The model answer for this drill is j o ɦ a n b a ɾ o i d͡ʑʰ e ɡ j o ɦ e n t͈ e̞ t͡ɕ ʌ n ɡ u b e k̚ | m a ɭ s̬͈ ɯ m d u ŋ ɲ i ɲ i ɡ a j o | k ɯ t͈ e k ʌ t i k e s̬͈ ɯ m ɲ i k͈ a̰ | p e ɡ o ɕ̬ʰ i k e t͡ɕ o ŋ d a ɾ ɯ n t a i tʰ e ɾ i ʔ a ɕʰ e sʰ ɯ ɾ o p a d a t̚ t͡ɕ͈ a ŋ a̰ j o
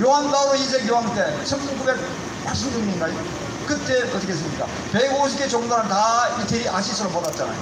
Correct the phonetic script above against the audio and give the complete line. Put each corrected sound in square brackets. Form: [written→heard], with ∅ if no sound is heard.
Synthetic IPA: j o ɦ a n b a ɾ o i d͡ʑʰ e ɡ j o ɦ [e→a] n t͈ e̞ [t͡ɕ→t͡ɕʰ] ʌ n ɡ u b e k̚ | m a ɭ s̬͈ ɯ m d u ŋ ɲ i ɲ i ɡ a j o | k ɯ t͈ e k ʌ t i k e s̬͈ ɯ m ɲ i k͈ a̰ | p e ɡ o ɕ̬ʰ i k e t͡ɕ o ŋ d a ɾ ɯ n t a i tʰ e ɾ i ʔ a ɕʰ [e→i] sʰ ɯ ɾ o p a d a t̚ t͡ɕ͈ a [ŋ→n] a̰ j o